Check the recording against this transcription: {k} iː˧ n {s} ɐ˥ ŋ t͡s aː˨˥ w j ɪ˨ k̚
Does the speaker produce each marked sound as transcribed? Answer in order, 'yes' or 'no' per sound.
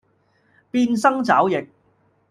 no, yes

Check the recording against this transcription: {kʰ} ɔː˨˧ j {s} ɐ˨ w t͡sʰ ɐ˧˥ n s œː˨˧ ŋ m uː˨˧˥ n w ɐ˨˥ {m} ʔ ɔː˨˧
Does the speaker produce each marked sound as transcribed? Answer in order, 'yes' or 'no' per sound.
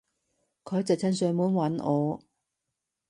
yes, no, no

